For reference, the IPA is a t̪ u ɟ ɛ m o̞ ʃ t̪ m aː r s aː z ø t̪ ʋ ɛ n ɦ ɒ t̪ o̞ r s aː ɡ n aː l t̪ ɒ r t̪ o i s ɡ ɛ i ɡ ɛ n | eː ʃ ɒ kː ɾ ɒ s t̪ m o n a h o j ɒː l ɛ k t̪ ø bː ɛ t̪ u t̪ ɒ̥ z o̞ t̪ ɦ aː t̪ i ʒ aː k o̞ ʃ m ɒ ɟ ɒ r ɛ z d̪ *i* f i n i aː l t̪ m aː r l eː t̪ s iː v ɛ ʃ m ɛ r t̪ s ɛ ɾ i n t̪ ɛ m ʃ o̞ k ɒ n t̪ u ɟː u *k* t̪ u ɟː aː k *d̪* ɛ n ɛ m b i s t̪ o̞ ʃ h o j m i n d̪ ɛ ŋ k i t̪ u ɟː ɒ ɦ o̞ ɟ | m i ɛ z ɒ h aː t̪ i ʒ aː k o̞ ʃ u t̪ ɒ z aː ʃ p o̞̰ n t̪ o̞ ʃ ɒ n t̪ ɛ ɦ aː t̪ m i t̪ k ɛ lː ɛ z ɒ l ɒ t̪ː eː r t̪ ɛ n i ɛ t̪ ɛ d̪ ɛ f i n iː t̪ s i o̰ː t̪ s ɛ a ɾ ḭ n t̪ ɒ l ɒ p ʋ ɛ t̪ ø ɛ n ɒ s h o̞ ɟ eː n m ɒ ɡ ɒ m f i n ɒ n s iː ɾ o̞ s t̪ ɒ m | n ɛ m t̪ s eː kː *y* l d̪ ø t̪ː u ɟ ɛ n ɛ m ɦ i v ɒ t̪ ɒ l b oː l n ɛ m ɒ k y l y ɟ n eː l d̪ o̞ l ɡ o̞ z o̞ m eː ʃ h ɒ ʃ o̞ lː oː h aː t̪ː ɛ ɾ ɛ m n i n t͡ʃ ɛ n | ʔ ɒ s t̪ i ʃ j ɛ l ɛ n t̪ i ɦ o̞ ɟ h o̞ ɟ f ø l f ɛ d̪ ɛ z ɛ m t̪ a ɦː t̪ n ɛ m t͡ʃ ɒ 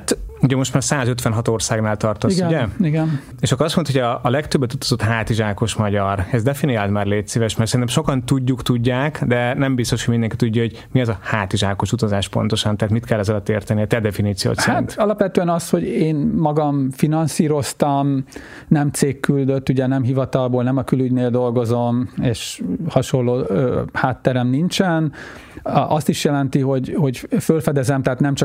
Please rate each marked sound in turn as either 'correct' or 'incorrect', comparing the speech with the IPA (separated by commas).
incorrect, correct, correct, correct